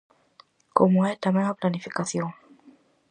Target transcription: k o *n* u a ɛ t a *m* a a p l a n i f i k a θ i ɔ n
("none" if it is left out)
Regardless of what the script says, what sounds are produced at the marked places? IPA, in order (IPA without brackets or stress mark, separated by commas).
m, m